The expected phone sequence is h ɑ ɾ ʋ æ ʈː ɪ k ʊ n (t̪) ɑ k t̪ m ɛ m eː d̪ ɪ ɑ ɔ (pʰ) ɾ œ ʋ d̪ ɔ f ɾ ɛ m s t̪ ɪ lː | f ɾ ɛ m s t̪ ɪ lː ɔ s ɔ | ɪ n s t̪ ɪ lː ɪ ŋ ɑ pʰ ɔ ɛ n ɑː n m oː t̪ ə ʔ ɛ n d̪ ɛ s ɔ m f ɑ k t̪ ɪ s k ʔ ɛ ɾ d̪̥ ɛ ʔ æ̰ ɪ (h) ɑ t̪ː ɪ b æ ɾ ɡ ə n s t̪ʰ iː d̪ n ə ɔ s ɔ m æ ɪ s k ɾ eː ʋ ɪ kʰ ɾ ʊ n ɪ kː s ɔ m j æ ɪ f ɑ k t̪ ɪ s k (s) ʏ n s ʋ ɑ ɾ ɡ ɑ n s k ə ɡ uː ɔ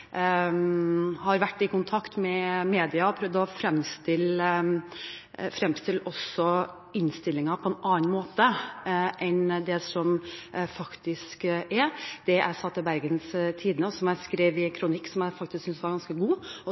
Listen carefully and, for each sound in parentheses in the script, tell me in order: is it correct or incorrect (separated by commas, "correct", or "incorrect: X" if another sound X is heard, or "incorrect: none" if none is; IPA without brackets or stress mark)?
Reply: incorrect: t̪ʰ, correct, incorrect: s, correct